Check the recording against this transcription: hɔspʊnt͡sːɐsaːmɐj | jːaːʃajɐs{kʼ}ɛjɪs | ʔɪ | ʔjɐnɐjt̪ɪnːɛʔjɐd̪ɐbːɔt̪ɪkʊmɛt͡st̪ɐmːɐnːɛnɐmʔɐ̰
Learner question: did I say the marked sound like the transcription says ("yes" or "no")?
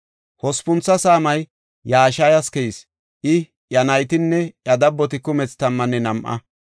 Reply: no